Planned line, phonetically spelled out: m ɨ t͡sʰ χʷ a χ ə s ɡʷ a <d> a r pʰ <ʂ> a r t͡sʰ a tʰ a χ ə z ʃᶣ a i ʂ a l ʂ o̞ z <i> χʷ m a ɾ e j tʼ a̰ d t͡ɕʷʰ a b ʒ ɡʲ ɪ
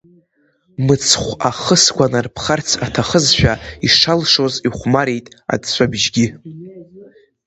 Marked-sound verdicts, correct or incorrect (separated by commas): incorrect, incorrect, correct